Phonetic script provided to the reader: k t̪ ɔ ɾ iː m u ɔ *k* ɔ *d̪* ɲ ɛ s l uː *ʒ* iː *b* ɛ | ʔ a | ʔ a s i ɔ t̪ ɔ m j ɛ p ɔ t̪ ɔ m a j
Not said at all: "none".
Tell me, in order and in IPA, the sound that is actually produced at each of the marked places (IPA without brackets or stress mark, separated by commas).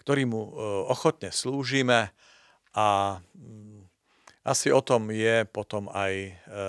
x, t̪, ʒ, m